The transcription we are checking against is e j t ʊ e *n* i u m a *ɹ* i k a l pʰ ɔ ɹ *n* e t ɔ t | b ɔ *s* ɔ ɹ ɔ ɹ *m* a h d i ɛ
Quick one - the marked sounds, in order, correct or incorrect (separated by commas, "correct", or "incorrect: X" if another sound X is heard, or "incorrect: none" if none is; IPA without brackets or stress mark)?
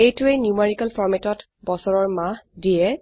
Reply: correct, correct, incorrect: m, correct, correct